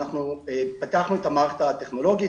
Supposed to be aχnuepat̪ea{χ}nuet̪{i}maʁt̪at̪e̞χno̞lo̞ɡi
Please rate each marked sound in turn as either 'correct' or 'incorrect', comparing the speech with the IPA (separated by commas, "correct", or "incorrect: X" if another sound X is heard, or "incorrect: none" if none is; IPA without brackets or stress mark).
correct, incorrect: a